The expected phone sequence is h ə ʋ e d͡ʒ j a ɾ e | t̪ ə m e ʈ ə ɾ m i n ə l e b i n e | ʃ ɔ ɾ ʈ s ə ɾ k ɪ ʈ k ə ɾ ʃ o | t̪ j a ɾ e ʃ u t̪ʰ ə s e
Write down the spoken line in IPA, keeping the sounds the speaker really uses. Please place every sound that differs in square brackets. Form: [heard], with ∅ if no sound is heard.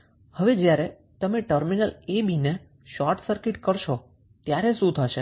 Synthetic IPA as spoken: h ə ʋ e d͡ʒ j a ɾ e | t̪ ə m e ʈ ə ɾ m i n ə l e b i n e | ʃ ɔ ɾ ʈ s ə ɾ k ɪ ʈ k ə ɾ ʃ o | t̪ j a ɾ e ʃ [ũ] t̪ʰ ə [ʃ] e